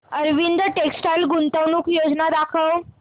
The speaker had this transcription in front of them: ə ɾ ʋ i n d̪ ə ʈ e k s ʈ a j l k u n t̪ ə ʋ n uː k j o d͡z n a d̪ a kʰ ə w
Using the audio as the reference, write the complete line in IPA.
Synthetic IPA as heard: ə ɾ ʋ i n d̪ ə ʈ e k s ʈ a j l ɡ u n t̪ ə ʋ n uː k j o d͡z n a d̪ a kʰ ə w